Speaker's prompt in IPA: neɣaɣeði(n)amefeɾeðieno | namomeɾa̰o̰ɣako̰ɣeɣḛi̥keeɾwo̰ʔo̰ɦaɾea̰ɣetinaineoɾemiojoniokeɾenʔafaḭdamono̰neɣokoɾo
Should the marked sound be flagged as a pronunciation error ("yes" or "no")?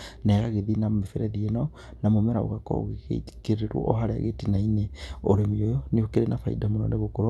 no